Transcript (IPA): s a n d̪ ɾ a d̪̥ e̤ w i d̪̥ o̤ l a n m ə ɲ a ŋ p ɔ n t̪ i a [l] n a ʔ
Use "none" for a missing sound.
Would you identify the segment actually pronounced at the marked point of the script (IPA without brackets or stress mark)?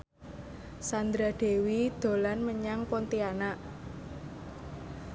none